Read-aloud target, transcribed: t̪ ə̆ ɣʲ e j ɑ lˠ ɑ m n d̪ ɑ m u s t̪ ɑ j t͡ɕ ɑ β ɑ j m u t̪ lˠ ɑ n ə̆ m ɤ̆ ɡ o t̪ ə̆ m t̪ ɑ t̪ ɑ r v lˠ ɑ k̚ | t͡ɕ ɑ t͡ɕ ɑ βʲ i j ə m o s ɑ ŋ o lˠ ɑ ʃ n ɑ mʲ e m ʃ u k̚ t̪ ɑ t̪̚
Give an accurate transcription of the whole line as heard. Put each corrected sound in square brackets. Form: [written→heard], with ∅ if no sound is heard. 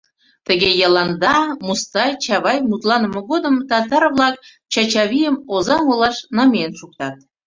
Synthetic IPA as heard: t̪ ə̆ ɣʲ e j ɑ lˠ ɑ [m→∅] n d̪ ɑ m u s t̪ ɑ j t͡ɕ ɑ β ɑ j m u t̪ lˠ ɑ n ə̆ m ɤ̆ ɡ o [t̪→d̪] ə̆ m t̪ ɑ t̪ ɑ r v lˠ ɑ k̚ | t͡ɕ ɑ t͡ɕ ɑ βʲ i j ə m o [s→z] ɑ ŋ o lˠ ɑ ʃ n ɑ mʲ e [m→n] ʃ u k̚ t̪ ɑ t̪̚